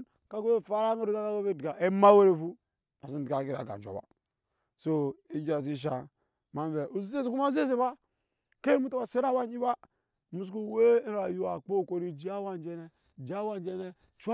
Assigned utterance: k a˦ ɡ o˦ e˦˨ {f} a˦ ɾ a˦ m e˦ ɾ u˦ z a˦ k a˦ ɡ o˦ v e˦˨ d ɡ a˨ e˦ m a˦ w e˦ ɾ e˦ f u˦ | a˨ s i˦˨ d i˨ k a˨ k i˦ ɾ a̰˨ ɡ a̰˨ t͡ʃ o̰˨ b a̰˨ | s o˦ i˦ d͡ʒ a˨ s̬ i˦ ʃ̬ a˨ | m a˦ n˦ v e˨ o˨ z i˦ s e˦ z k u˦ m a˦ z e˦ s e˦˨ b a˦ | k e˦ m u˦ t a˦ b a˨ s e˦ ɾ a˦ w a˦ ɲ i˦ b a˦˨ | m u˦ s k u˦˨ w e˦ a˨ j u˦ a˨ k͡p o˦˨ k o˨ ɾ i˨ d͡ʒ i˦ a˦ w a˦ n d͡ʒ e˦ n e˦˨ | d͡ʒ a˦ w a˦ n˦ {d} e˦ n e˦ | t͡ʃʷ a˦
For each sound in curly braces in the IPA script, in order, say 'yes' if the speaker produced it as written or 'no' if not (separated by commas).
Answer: yes, no